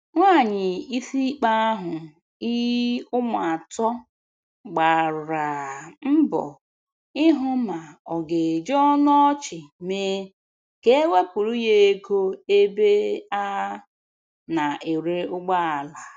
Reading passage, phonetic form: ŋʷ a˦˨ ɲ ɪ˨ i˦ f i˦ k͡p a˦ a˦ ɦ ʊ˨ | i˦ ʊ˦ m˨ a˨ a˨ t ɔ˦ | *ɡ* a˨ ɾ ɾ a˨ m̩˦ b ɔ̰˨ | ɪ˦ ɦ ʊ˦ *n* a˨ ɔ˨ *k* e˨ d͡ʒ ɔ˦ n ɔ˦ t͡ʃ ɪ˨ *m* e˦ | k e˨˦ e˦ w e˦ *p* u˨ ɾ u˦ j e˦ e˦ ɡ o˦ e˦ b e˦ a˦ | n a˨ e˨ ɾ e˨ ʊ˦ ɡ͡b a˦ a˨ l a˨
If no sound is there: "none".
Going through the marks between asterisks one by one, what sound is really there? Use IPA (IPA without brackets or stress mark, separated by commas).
ɡ͡b, m, ɡ, m, p